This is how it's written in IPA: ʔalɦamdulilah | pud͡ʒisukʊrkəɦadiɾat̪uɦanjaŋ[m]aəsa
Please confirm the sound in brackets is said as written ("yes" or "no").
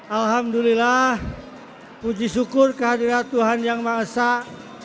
yes